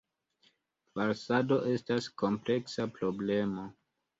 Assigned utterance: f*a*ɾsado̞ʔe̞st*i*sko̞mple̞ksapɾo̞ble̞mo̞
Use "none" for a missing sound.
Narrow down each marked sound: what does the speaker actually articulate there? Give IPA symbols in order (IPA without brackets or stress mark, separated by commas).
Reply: a, a